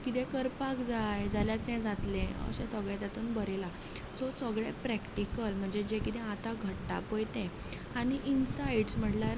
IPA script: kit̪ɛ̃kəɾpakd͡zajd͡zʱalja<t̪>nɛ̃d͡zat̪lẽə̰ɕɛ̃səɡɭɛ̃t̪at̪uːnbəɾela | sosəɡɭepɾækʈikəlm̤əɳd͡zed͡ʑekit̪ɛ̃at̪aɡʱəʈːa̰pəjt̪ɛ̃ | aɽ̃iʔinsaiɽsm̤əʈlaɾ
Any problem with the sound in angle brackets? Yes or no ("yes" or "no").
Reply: no